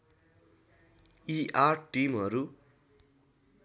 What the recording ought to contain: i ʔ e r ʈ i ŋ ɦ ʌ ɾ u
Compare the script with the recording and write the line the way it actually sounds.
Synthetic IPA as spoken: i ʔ a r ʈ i m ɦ ʌ ɾ u